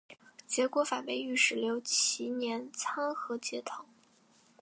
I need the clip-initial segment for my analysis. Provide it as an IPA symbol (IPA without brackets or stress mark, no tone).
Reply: t͡ɕ